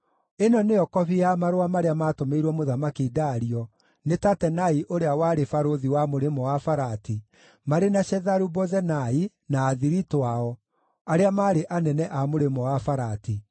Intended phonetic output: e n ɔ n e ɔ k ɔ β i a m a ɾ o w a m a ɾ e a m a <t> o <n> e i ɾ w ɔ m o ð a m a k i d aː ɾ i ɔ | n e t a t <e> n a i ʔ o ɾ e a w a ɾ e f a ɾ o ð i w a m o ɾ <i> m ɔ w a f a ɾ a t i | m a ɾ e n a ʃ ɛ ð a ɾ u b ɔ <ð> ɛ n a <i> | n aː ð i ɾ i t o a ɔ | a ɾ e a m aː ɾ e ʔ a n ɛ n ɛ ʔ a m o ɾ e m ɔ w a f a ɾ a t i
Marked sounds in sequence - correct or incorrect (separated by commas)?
correct, incorrect, incorrect, incorrect, incorrect, correct